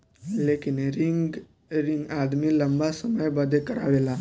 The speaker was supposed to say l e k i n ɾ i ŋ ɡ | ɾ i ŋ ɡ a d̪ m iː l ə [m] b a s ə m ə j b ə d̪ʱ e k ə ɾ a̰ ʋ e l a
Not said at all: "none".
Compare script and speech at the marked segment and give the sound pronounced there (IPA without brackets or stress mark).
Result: m